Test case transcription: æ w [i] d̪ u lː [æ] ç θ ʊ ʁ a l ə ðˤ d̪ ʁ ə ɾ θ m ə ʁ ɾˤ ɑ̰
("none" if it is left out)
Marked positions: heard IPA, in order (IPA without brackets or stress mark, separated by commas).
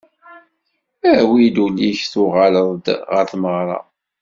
i, i